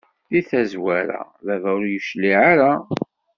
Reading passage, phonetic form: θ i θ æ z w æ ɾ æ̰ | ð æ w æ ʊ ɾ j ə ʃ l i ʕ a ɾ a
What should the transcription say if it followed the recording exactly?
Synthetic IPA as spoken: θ i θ æ z w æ ɾ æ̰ | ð æ v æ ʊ ɾ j ə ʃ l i ʕ a ɾ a